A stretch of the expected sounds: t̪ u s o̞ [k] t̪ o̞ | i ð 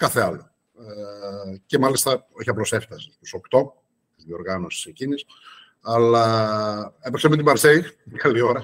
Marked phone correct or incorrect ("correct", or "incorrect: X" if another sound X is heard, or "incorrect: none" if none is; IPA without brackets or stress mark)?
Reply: correct